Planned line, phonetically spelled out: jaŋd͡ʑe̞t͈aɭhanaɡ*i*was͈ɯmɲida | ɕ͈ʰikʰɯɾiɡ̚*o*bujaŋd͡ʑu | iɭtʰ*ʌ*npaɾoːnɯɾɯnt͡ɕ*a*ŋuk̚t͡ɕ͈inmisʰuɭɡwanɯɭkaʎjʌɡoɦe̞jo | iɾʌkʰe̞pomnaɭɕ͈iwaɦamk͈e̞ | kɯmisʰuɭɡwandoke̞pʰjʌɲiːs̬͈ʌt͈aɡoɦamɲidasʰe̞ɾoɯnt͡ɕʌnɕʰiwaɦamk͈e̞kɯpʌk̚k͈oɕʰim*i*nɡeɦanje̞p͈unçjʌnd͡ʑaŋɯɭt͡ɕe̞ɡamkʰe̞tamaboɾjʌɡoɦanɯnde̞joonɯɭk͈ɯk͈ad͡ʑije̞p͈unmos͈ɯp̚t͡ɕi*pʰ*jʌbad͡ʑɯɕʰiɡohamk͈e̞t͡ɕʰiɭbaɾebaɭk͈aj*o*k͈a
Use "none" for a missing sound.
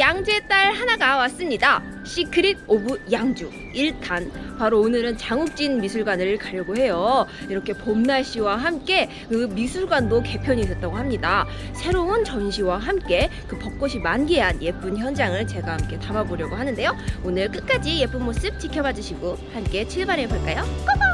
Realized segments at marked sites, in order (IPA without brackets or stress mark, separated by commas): a, o, a, a, a, kʰ, o